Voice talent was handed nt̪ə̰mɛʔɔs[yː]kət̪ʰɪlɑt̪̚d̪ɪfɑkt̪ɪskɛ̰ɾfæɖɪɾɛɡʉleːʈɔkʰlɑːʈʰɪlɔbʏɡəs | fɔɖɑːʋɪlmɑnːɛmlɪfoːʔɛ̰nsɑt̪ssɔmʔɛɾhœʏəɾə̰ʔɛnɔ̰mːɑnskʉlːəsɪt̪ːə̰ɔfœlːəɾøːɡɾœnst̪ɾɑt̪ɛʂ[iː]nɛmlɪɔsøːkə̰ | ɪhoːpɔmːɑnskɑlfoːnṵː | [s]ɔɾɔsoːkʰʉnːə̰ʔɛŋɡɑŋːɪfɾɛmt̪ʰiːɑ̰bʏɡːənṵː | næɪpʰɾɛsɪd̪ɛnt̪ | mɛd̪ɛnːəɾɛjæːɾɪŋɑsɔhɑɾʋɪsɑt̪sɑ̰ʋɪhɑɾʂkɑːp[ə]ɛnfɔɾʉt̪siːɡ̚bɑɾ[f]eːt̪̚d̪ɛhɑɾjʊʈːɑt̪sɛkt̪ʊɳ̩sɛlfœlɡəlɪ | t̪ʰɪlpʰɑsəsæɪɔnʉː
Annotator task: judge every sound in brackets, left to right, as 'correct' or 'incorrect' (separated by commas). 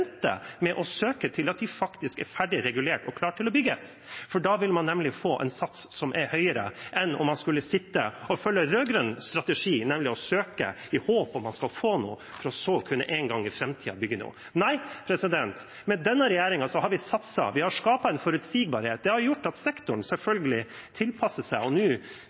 incorrect, correct, incorrect, incorrect, incorrect